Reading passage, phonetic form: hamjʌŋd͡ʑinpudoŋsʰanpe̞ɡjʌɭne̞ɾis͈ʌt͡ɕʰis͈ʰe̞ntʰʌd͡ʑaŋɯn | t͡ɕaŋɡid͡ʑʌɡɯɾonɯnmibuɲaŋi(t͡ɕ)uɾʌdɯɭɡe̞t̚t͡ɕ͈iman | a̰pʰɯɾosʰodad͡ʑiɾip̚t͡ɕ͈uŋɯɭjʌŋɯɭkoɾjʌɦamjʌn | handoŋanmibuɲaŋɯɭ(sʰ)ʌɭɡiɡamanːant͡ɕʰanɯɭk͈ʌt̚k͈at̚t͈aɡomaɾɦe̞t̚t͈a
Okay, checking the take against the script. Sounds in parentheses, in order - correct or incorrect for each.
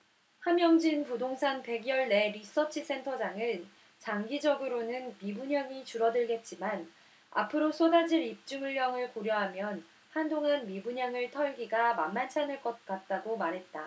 correct, incorrect: tʰ

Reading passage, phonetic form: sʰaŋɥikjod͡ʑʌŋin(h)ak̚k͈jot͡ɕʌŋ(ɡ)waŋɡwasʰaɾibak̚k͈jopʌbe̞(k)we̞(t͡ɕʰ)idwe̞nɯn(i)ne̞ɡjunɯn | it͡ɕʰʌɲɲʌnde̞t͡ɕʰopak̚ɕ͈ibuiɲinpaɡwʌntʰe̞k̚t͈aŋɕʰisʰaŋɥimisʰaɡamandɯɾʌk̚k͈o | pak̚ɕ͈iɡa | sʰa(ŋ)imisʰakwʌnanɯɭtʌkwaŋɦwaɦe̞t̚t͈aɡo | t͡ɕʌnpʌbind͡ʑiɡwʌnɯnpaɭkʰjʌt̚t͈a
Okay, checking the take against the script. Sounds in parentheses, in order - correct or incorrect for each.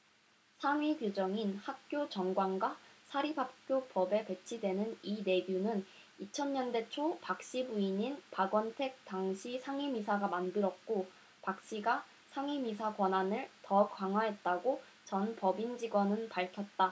correct, correct, incorrect: p, correct, correct, correct

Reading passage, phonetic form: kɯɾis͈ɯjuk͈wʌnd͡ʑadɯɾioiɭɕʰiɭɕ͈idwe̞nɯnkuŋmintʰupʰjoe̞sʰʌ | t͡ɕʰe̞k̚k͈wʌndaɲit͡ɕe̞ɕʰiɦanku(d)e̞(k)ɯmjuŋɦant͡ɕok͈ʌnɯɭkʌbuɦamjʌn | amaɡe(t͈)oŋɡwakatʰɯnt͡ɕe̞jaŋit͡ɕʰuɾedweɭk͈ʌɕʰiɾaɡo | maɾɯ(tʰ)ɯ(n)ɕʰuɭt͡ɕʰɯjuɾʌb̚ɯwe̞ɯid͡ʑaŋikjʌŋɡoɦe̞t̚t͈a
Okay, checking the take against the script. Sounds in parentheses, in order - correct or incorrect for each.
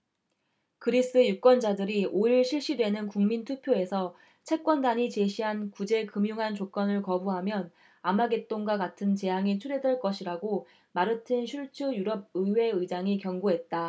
incorrect: d͡ʑ, correct, correct, correct, correct

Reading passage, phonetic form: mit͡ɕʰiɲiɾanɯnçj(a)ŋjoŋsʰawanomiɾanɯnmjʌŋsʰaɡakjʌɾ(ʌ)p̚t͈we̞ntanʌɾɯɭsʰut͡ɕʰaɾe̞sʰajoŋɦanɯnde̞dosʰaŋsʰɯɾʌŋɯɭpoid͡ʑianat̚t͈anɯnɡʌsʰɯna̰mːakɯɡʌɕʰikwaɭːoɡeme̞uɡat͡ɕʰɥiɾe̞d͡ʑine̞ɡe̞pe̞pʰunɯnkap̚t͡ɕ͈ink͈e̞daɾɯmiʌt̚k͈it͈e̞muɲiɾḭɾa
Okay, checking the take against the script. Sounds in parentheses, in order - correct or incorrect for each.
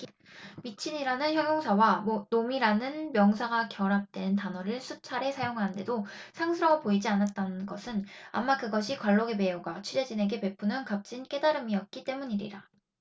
incorrect: ʌ, incorrect: a

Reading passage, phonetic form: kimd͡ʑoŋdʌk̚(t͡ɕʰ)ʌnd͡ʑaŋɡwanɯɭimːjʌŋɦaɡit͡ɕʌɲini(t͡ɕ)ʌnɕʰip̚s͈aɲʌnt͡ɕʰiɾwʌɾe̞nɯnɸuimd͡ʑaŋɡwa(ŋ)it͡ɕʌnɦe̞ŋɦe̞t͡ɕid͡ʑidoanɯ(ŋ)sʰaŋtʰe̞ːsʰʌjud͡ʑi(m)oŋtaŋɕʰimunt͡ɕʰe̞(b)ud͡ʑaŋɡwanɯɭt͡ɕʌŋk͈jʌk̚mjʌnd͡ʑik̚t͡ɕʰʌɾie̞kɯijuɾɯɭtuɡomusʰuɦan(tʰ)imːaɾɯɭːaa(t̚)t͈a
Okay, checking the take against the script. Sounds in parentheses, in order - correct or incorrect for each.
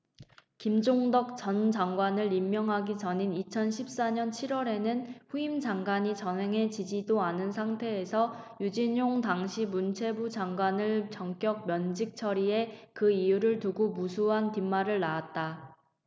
incorrect: t͡ɕ, incorrect: t͡ɕʰ, incorrect: ɲ, incorrect: n, incorrect: ɲ, correct, incorrect: t, correct

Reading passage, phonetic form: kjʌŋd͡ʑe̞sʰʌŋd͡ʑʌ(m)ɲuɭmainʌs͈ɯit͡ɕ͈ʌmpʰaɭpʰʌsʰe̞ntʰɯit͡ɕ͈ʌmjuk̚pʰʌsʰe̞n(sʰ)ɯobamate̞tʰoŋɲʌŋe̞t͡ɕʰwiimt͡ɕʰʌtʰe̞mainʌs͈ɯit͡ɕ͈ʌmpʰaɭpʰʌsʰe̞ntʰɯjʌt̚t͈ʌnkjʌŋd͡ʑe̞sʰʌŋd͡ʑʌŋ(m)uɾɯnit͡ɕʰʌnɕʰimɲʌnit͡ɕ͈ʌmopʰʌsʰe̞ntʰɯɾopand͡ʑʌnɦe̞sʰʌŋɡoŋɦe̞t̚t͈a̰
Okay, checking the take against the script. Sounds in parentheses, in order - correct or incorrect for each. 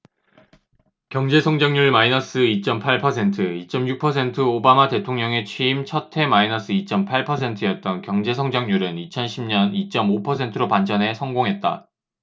incorrect: ŋ, incorrect: tʰ, incorrect: ɲ

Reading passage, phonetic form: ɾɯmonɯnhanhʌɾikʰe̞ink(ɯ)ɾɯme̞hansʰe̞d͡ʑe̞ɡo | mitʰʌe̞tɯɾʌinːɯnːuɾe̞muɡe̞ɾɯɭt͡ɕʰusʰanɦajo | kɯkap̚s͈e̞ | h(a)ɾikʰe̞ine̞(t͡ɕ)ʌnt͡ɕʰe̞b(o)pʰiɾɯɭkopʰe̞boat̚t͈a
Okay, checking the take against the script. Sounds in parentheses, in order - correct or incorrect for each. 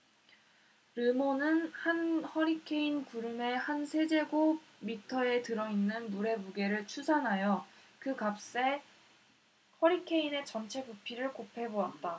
incorrect: u, incorrect: ʌ, correct, incorrect: u

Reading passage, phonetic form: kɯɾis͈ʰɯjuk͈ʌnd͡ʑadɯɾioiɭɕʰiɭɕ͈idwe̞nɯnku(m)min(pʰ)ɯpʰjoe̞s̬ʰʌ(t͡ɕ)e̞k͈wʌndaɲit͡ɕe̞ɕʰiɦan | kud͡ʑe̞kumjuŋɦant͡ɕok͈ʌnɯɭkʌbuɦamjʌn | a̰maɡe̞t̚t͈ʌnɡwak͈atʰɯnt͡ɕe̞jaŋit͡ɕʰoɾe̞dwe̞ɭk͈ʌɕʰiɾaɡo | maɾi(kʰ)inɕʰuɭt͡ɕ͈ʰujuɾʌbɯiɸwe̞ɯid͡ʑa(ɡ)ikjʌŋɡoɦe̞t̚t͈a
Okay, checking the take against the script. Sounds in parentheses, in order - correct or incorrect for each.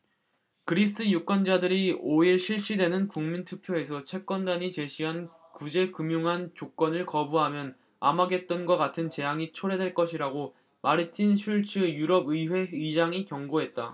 incorrect: ŋ, incorrect: tʰ, incorrect: t͡ɕʰ, incorrect: tʰ, incorrect: ŋ

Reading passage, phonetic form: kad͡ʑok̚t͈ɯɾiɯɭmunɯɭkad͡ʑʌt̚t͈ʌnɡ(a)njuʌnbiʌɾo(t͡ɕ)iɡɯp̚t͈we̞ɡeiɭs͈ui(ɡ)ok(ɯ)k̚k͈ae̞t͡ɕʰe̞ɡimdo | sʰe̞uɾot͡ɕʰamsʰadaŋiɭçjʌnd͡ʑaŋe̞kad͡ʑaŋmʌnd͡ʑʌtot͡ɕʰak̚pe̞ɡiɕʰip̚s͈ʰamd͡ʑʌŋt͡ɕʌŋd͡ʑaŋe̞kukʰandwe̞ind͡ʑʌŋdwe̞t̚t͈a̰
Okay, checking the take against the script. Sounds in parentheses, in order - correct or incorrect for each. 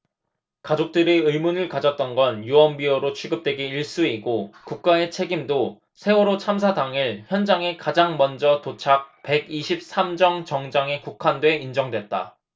incorrect: ʌ, incorrect: t͡ɕʰ, correct, incorrect: u

